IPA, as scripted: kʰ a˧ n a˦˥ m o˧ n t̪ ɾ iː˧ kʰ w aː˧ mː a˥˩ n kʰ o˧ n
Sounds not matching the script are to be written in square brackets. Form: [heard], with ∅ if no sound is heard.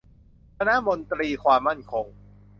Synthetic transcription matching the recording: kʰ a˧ n a˦˥ m o˧ n t̪ ɾ iː˧ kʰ w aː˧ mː a˥˩ n kʰ o˧ [ŋ]